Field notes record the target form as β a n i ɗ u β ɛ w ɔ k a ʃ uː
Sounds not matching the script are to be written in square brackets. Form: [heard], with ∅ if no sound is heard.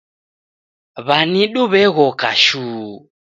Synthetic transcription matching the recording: β a n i ɗ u β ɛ [ɣ] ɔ k a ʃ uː